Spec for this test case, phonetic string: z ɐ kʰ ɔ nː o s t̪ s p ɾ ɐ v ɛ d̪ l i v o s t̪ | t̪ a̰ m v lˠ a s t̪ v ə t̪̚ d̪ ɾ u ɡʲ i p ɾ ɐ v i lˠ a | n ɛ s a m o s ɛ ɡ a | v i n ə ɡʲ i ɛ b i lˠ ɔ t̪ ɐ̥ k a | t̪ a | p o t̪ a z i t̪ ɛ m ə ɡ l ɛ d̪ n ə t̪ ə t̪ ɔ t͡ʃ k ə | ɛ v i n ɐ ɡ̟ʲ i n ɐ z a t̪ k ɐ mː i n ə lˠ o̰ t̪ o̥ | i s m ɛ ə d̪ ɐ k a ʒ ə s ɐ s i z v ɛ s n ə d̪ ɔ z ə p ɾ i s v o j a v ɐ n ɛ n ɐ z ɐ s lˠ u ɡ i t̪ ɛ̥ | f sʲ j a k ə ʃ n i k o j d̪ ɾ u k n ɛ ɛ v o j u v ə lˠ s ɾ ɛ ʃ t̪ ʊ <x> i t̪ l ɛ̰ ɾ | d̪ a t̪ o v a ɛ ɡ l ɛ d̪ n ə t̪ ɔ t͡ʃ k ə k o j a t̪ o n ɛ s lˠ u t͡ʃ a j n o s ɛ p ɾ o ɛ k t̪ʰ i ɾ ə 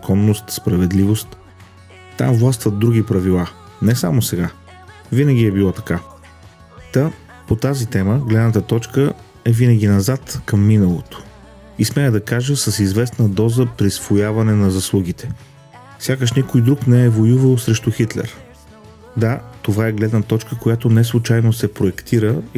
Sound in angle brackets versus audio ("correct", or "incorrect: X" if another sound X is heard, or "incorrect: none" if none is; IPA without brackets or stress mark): correct